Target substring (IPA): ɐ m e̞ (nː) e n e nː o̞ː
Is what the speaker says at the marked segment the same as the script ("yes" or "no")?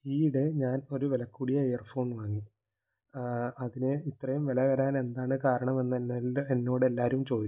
yes